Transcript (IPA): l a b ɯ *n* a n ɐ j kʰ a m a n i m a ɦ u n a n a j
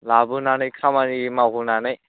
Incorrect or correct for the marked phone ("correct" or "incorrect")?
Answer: correct